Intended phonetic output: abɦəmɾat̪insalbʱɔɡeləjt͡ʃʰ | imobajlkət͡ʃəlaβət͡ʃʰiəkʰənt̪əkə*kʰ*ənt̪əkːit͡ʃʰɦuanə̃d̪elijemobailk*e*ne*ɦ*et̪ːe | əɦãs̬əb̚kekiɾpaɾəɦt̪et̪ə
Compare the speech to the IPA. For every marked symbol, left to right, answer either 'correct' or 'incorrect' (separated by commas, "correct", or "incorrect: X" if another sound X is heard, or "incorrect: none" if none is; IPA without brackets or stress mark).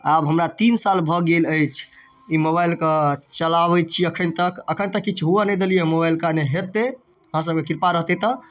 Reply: correct, incorrect: a, correct